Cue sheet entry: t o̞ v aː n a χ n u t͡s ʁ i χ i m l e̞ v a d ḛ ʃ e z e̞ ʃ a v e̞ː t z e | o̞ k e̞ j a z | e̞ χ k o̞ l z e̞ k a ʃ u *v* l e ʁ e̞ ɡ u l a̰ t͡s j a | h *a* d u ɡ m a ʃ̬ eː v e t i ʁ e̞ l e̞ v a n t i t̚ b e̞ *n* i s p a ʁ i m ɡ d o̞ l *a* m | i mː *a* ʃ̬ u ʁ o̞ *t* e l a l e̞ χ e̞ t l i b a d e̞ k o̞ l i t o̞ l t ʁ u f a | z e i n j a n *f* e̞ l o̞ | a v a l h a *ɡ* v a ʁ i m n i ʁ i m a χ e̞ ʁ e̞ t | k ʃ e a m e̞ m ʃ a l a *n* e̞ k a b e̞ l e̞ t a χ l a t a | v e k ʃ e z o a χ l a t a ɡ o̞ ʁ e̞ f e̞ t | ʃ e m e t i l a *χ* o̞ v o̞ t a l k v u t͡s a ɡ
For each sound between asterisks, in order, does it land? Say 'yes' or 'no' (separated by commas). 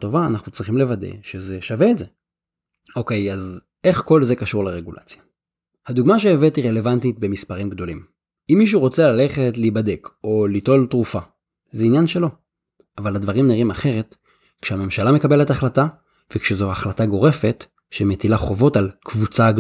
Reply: no, yes, no, no, no, no, no, no, no, yes